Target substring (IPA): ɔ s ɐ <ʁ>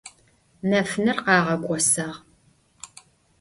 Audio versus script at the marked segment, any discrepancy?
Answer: no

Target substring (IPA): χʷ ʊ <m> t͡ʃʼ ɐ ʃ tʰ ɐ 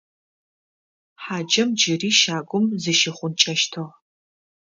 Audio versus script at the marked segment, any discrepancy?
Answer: yes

